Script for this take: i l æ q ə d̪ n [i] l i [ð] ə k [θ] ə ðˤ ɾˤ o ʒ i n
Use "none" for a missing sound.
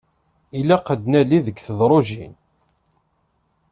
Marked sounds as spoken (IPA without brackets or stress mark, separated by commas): æ, ð, θ